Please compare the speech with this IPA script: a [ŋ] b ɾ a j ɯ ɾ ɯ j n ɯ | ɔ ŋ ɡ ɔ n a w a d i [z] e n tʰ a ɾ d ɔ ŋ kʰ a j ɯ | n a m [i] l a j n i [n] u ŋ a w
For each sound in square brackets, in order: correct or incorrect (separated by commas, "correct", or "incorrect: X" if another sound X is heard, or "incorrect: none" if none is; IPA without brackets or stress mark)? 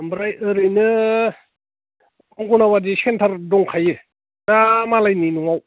incorrect: m, incorrect: s, incorrect: a, correct